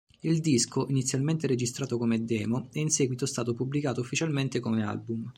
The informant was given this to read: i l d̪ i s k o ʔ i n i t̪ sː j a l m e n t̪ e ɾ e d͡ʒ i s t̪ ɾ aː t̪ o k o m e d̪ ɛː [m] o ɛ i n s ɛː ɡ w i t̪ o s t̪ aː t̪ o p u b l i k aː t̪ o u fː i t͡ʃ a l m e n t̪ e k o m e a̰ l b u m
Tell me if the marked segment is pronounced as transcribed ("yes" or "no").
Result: yes